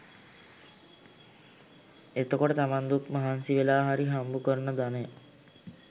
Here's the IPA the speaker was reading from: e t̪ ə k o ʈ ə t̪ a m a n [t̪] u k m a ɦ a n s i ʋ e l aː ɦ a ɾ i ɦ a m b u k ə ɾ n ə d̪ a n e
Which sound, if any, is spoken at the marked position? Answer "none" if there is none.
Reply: d̪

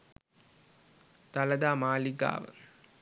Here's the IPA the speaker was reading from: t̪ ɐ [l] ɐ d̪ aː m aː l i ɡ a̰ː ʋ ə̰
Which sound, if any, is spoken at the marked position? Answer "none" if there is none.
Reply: l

